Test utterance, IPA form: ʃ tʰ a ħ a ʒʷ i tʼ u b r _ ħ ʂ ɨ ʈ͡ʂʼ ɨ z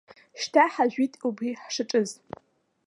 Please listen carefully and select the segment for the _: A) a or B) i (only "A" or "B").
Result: B